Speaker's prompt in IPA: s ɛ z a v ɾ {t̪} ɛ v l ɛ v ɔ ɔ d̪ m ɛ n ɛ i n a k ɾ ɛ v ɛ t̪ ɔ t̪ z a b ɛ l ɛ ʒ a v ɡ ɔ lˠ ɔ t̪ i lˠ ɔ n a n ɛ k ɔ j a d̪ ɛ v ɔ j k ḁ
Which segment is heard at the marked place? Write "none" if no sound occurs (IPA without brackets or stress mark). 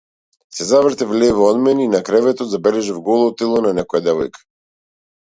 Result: t̪